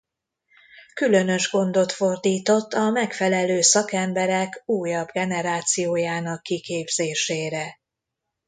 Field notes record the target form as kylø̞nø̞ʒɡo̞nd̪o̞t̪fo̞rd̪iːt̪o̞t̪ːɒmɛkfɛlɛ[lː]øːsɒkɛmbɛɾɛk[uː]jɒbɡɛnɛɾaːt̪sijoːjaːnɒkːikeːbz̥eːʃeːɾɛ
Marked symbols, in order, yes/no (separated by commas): no, yes